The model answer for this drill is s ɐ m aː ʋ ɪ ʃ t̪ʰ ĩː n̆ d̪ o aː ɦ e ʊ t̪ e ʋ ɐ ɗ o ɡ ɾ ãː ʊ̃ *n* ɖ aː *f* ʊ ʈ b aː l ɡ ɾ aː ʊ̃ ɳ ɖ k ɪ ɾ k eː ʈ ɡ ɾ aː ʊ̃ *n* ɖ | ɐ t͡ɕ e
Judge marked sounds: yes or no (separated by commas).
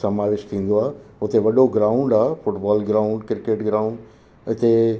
no, yes, no